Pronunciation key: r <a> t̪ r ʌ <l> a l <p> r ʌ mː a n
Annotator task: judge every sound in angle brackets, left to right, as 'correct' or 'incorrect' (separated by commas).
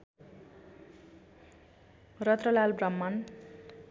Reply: incorrect, correct, incorrect